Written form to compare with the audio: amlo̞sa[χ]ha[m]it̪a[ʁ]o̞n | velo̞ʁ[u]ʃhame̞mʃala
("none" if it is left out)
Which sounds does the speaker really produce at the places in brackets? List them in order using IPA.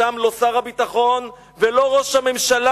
ʁ, b, χ, o

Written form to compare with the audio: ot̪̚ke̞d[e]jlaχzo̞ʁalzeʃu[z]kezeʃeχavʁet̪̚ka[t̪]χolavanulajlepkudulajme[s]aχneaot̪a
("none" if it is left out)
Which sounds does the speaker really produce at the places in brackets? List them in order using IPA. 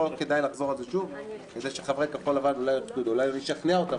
a, v, none, ʃ

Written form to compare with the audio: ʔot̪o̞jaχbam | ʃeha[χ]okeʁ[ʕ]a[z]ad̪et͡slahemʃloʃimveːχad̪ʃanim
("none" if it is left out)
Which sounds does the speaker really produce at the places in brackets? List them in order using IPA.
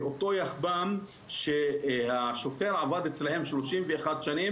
ʃ, ʕ, v

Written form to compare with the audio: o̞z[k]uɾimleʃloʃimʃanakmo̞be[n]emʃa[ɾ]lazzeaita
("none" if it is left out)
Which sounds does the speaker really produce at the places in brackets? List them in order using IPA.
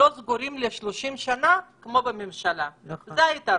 ɡ, m, none

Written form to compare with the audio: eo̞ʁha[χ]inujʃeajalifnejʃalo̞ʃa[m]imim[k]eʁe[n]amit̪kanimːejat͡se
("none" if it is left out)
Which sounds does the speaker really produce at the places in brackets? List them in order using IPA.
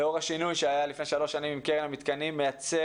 ʃ, n, k, n

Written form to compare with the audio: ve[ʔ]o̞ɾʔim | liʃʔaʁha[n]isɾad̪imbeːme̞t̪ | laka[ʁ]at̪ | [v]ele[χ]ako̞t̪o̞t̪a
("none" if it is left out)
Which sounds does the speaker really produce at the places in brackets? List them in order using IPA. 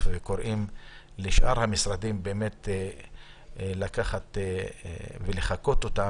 k, m, χ, v, χ

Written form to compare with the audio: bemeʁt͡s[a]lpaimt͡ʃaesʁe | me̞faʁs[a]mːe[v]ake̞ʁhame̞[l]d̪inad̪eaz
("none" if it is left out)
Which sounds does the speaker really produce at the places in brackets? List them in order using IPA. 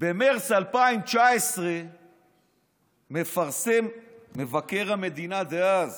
a, e, v, none

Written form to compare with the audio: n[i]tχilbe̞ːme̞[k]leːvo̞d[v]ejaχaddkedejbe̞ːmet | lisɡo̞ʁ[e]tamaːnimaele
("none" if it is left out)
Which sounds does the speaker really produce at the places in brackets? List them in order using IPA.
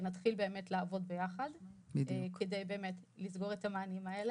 a, t, b, e

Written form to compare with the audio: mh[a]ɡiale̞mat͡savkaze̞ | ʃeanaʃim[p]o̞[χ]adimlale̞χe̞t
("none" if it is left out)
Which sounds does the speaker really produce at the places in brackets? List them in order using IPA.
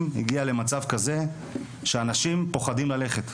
i, p, χ

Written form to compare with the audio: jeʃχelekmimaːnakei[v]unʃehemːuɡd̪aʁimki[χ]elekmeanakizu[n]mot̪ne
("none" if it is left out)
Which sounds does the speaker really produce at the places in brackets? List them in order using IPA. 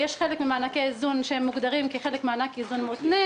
z, χ, n

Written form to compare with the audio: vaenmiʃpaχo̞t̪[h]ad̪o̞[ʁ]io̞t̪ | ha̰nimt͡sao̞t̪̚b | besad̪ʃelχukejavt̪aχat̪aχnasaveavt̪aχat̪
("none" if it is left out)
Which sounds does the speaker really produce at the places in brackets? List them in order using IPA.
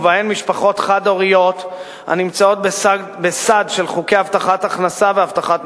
χ, ʁ

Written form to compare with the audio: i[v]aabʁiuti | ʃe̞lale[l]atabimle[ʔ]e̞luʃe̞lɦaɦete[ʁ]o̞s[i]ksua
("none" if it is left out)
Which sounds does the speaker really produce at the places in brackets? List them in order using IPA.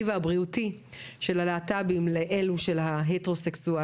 v, none, ʔ, ʁ, e

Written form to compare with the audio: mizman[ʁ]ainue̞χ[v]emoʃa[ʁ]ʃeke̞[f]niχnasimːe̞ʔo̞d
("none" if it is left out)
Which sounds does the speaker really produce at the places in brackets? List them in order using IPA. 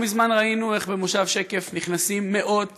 ʁ, b, v, f

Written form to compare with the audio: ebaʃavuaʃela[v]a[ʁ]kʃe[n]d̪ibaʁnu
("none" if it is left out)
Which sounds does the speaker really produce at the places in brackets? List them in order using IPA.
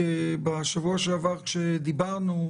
v, ʁ, none

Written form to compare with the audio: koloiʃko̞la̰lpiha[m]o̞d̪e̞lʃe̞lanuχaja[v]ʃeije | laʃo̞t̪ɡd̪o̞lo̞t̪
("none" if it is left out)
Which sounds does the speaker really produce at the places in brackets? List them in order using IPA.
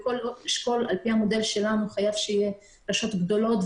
m, v

